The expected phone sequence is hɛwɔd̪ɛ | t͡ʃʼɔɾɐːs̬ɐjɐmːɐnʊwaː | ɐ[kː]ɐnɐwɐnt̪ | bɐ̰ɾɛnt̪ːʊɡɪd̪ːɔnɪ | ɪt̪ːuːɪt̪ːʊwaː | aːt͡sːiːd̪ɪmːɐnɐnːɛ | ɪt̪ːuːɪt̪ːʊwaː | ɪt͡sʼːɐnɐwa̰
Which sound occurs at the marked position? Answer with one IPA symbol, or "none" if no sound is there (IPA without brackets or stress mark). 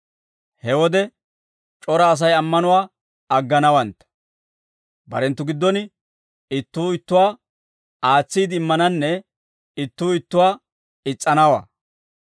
ɡː